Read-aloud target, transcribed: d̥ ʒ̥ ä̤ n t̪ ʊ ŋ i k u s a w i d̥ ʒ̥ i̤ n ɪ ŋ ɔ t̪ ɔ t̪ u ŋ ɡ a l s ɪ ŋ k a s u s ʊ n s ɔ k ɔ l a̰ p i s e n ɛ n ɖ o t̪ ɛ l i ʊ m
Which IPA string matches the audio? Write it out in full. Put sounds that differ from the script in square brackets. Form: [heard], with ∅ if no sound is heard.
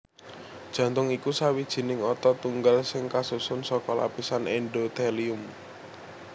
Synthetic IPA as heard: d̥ ʒ̥ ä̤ n t̪ ʊ ŋ i k u s a w i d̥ ʒ̥ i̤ n ɪ ŋ ɔ t̪ ɔ t̪ u ŋ ɡ a l s ɪ ŋ k a s u s ʊ n s ɔ k ɔ l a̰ p i s [a] n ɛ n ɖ o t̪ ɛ l i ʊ m